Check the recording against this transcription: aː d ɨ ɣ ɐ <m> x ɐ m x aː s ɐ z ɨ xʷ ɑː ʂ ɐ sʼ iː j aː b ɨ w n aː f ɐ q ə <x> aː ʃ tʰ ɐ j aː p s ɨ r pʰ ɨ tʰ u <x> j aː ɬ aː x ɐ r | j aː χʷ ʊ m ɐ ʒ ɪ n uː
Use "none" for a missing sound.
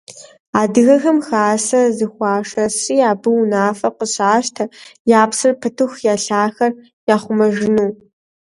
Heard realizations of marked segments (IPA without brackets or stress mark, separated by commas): none, ɕ, x